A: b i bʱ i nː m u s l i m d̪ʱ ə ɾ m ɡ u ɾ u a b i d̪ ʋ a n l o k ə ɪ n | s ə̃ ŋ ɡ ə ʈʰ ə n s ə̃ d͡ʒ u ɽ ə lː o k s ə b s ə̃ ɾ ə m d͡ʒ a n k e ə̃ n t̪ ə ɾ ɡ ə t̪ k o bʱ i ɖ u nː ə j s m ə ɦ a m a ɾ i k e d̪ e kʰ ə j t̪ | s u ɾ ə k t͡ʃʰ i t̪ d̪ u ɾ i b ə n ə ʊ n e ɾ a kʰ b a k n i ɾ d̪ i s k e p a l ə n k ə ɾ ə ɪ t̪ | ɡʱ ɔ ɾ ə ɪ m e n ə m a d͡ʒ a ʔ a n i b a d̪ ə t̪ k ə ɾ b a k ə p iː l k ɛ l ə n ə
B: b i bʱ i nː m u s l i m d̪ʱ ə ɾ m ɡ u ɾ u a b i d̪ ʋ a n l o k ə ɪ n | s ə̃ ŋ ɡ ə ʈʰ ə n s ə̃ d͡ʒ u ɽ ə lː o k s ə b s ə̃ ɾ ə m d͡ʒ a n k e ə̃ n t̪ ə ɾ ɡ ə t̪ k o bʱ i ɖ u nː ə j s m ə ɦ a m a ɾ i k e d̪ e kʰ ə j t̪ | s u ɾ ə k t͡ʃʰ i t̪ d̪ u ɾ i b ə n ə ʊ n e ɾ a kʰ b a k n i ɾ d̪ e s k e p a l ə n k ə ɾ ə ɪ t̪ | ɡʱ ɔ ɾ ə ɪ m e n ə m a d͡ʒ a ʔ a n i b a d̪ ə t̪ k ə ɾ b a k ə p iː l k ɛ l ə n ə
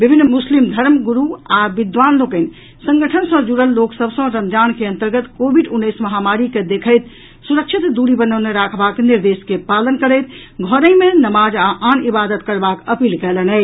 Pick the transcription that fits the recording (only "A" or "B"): B